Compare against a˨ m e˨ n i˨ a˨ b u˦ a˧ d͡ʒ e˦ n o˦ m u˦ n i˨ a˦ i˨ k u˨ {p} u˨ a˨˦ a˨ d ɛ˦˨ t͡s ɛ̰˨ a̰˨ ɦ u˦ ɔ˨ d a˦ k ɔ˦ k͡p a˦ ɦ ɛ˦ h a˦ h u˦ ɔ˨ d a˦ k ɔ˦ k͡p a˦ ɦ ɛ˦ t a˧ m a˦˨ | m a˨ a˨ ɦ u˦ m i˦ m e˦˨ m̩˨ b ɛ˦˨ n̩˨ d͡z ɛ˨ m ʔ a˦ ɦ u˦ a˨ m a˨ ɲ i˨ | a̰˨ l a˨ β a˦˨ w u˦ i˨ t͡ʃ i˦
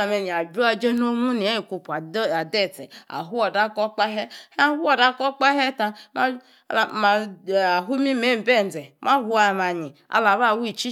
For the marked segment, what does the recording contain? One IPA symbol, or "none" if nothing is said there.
p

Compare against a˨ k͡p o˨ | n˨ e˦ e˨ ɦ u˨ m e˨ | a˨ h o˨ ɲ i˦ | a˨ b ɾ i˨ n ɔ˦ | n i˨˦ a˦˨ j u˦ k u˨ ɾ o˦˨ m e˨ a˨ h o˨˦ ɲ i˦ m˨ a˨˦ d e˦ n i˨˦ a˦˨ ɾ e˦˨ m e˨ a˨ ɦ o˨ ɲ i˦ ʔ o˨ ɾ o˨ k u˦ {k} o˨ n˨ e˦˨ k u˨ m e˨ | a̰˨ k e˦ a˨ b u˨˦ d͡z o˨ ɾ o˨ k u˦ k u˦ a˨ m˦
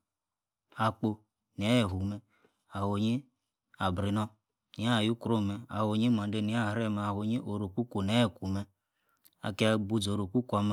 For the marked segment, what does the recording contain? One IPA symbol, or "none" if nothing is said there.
k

